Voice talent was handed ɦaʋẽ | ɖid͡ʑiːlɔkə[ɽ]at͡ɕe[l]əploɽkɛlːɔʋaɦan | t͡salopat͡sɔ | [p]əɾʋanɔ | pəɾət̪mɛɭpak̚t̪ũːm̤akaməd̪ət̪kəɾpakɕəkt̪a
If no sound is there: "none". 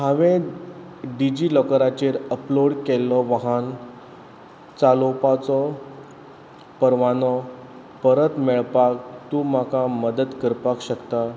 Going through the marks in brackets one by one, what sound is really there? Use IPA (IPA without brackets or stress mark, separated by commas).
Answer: ɾ, ɾ, p